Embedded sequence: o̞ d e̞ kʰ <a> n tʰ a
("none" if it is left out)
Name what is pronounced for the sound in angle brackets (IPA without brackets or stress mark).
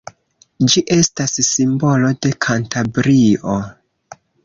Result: a